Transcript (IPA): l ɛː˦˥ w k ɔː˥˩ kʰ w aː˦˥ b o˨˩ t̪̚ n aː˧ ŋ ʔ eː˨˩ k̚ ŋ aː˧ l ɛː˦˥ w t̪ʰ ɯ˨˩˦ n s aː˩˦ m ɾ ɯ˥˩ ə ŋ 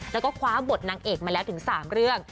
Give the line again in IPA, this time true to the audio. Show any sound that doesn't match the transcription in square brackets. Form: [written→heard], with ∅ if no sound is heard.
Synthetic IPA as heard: l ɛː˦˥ w k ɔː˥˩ kʰ w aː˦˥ b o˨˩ t̪̚ n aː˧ ŋ ʔ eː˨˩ k̚ [ŋ→m] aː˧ l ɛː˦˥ w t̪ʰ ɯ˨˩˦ [n→ŋ] s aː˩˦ m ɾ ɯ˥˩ ə ŋ